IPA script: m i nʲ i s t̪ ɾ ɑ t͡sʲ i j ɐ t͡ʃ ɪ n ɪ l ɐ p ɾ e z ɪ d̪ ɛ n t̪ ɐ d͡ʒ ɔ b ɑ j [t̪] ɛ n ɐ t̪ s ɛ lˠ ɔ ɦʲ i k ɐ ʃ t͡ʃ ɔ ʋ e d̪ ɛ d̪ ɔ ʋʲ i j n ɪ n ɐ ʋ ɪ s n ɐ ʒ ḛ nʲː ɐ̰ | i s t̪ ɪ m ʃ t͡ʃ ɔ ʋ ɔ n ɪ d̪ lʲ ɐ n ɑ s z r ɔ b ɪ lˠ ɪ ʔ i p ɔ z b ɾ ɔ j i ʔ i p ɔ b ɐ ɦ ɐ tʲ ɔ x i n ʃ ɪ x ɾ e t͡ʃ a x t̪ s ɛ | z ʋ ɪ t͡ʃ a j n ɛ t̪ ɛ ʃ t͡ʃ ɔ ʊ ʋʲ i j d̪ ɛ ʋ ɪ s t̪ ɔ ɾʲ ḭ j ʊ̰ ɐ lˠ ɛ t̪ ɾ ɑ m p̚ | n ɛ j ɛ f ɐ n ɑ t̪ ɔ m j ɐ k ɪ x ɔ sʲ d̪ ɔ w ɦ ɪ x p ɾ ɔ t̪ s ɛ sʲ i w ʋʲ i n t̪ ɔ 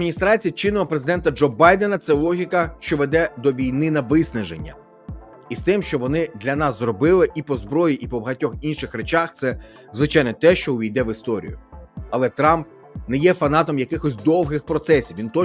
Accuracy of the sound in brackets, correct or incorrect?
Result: incorrect